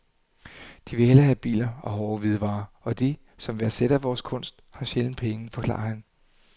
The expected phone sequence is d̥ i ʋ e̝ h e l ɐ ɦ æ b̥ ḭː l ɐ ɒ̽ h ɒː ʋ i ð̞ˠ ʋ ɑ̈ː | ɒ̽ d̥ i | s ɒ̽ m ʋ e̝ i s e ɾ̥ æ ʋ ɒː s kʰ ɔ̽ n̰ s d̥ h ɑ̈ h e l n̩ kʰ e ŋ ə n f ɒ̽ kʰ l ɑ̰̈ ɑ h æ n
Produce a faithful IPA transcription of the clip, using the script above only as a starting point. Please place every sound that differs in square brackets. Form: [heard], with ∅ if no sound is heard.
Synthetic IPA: d̥ i ʋ e̝ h e l ɐ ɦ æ b̥ ḭː l ɐ ɒ̽ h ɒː ʋ i ð̞ˠ ʋ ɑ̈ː | ɒ̽ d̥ i | s ɒ̽ m ʋ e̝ [æ] s e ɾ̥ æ ʋ ɒː s kʰ ɔ̽ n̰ s d̥ h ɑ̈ [ɕ] e l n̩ [pʰ] e ŋ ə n f ɒ̽ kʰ l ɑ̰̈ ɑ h æ n